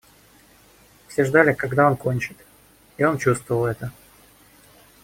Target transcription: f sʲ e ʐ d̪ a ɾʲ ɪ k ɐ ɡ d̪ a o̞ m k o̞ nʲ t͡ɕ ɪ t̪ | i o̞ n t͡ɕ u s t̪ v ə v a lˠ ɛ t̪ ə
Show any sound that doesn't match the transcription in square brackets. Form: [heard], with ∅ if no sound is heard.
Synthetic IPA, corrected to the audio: f sʲ e ʐ d̪ a [lʲ] ɪ k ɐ ɡ d̪ a o̞ [n] k o̞ nʲ t͡ɕ ɪ t̪ | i o̞ n t͡ɕ u s t̪ v ə v [ə] lˠ ɛ t̪ ə